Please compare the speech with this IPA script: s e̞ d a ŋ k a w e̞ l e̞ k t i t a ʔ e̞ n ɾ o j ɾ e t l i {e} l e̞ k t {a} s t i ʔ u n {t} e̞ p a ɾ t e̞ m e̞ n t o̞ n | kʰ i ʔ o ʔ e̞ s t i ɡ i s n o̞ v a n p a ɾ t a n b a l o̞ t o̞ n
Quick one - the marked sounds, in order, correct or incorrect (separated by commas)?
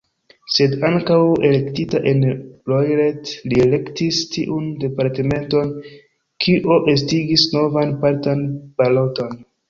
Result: correct, incorrect, incorrect